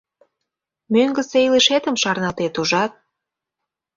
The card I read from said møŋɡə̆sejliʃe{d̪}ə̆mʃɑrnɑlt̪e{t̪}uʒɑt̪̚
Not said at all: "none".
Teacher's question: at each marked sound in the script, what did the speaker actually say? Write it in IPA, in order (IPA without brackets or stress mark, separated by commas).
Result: t̪, t̪